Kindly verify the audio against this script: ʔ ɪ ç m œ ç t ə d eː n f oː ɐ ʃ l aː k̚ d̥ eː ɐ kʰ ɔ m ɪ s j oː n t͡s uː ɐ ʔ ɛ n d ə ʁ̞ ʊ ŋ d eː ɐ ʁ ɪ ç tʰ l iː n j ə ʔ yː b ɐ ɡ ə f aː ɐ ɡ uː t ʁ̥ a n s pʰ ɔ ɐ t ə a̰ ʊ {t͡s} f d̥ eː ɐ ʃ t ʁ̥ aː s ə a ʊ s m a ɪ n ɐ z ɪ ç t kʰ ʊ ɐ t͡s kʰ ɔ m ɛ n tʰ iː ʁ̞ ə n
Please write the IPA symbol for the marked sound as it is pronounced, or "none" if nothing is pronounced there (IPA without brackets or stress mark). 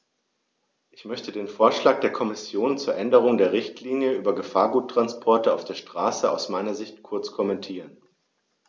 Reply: none